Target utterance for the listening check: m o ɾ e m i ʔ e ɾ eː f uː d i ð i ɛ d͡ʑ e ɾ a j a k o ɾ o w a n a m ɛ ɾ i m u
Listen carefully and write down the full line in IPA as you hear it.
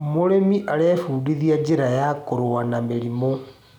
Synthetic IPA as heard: m o ɾ e m i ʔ a ɾ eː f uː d i ð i a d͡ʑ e ɾ a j a k o ɾ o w a n a m e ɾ i m o